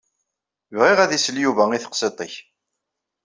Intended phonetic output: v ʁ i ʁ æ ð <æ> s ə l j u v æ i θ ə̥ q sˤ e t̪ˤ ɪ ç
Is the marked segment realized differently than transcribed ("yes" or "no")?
yes